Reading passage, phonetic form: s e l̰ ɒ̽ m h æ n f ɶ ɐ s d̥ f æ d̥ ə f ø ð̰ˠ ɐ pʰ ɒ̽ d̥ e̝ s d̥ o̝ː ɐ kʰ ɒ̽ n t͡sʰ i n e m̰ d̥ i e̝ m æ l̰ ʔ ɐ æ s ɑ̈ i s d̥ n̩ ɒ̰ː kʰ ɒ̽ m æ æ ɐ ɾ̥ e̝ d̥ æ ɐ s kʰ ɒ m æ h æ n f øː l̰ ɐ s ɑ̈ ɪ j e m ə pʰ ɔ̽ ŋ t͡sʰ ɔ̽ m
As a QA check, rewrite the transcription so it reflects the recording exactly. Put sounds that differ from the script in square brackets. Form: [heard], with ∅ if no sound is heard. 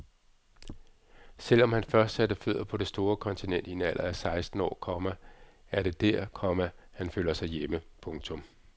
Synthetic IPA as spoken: s e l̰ ɒ̽ m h æ n f ɶ ɐ s d̥ [s] æ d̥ ə f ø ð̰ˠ ɐ pʰ ɒ̽ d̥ e̝ s d̥ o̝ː ɐ kʰ ɒ̽ n t͡sʰ i n e [n̰] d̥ i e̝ [n] æ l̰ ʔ ɐ æ s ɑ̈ [ɪ] s d̥ n̩ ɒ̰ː kʰ ɒ̽ m æ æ ɐ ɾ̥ e̝ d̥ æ ɐ [∅] kʰ ɒ m æ h æ n f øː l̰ ɐ s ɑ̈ ɪ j e m ə pʰ ɔ̽ ŋ t͡sʰ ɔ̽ m